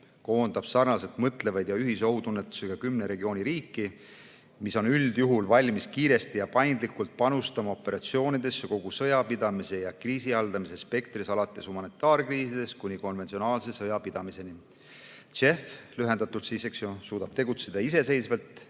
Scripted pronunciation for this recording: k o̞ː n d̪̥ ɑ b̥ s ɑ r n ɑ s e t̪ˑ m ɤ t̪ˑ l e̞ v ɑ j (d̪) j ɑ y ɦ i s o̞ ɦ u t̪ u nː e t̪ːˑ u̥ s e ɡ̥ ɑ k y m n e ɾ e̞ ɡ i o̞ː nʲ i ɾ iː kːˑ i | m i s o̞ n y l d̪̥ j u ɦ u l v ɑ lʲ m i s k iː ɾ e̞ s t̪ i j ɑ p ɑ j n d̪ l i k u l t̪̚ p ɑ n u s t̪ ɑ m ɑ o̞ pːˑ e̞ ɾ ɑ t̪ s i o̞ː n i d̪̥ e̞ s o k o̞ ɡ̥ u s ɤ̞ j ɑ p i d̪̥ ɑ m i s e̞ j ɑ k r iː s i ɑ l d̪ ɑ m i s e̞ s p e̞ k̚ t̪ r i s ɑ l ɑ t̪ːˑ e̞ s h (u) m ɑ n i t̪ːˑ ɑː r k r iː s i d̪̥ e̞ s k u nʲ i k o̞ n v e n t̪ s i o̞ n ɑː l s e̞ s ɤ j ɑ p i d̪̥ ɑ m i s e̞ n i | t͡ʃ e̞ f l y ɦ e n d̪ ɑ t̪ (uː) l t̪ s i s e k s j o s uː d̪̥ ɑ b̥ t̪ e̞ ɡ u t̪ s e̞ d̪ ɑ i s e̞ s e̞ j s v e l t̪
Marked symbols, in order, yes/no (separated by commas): yes, yes, no